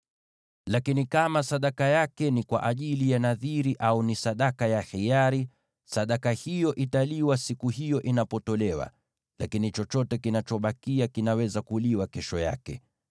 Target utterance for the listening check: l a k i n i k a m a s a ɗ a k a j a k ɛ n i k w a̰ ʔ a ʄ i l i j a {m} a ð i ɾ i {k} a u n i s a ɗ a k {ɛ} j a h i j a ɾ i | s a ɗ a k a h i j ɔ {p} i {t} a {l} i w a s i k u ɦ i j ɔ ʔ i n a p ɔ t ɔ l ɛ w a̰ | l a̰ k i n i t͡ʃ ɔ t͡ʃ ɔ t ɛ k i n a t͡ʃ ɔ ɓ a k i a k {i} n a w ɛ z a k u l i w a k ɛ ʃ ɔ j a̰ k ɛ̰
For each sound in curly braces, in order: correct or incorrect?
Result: incorrect: n, incorrect: ʔ, incorrect: a, incorrect: ʔ, correct, correct, correct

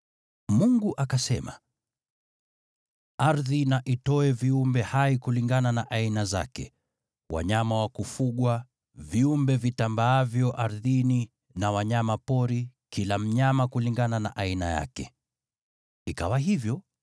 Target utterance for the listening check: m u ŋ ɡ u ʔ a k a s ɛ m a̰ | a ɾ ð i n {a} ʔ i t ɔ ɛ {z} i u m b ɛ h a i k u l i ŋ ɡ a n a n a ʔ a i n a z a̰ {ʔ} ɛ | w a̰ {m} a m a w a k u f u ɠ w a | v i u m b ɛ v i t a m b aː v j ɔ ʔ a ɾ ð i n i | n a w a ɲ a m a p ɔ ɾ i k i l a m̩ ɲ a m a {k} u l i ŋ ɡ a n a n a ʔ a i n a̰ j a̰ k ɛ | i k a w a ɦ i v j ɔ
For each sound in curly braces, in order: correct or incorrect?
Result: correct, incorrect: v, incorrect: k, incorrect: ɲ, correct

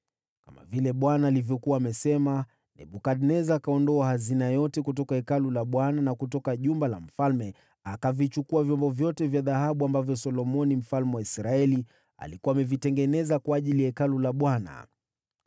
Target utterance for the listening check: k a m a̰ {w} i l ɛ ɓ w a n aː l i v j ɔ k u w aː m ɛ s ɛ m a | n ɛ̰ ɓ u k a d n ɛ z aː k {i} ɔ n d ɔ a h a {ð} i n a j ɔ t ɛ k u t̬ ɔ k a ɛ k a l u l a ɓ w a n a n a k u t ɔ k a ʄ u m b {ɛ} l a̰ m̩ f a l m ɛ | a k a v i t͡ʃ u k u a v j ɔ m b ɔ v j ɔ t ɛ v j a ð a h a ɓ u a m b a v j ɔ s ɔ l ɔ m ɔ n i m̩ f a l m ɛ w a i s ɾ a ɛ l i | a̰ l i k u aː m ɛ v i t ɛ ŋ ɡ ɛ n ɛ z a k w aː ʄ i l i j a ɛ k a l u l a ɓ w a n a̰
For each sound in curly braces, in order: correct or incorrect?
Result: incorrect: v, incorrect: a, incorrect: z, incorrect: a

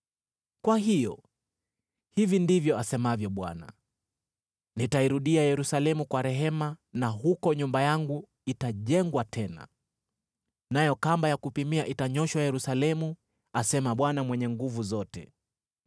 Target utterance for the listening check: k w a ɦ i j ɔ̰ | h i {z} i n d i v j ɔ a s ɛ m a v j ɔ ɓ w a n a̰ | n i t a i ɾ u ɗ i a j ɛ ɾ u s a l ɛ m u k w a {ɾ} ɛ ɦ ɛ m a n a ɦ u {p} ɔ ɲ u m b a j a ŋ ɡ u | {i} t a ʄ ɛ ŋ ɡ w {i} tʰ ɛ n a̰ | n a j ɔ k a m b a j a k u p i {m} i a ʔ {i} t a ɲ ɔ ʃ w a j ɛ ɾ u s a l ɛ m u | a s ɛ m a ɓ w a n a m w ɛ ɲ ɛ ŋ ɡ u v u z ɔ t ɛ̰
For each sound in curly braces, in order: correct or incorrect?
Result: incorrect: v, correct, incorrect: k, correct, incorrect: a, correct, correct

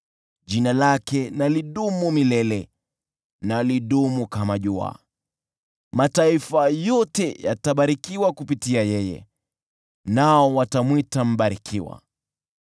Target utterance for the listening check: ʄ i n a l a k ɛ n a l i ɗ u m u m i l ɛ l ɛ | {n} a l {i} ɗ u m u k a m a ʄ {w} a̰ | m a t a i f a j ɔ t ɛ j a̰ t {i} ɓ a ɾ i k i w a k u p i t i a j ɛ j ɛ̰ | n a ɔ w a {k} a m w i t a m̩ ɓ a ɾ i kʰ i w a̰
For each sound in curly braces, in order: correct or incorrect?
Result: correct, correct, incorrect: u, incorrect: a, incorrect: t

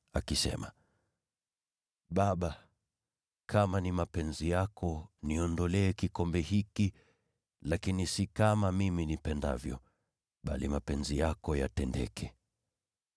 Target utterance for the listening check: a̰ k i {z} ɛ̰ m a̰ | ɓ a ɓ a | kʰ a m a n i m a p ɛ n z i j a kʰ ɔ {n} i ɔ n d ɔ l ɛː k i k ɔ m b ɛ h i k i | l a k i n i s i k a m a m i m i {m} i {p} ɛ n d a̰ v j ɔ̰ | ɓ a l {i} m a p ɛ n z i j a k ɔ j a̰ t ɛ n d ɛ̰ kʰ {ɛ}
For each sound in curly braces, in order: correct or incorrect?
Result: incorrect: s, correct, incorrect: n, correct, correct, correct

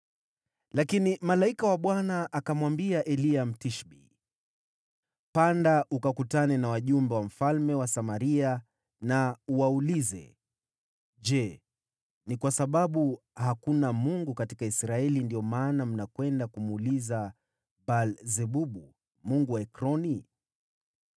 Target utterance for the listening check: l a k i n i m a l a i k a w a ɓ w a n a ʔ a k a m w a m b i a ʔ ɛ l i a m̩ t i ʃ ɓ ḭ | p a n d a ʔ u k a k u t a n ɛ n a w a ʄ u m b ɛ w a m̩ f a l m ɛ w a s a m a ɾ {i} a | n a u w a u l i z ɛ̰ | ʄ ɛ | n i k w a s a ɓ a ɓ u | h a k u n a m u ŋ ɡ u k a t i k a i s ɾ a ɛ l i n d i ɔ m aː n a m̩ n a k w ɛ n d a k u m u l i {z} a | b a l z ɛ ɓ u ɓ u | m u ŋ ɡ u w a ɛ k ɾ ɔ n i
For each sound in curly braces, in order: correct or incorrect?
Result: correct, correct

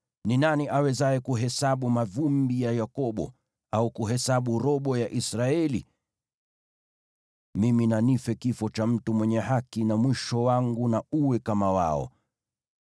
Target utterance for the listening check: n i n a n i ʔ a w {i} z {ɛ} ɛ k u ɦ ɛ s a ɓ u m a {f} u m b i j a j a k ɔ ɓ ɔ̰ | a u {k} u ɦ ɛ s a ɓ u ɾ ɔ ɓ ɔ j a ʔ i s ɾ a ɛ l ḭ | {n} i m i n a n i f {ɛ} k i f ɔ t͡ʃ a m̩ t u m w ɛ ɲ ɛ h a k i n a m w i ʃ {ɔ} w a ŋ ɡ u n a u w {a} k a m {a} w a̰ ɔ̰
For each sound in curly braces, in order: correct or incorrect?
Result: incorrect: ɛ, incorrect: a, incorrect: v, correct, incorrect: m, correct, correct, incorrect: ɛ, correct

